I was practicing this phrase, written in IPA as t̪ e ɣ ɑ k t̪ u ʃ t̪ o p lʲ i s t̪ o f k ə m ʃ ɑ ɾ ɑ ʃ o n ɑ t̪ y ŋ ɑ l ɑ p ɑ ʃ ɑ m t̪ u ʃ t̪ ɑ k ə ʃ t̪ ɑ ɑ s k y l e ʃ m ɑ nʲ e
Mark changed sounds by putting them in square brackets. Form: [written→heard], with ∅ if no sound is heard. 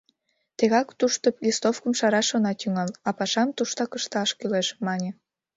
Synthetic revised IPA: t̪ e ɣ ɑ k t̪ u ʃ t̪ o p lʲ i s t̪ o f k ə m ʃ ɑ ɾ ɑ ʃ o n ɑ t̪ y ŋ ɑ l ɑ p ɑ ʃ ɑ m t̪ u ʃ t̪ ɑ k ə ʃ t̪ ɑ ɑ [s→ʃ] k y l e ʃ m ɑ nʲ e